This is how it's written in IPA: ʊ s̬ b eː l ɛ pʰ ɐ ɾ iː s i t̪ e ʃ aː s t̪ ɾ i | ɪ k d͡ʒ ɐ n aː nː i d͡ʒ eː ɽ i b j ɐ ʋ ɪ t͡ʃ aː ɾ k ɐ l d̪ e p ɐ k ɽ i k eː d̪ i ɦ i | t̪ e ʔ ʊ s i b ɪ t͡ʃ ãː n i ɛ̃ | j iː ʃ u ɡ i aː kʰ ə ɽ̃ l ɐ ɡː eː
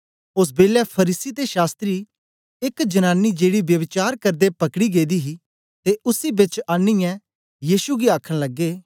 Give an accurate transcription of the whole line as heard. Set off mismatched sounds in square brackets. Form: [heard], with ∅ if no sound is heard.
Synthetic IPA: ʊ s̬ b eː l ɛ pʰ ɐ ɾ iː s i t̪ e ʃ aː s t̪ ɾ i | ɪ k d͡ʒ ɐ n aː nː i d͡ʒ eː ɽ i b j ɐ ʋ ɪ t͡ʃ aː ɾ k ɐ [ɾ] d̪ e p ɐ k ɽ i [ɡ] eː d̪ i ɦ i | t̪ e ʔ ʊ s i b ɪ t͡ʃ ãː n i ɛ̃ | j iː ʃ u ɡ i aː kʰ ə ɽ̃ l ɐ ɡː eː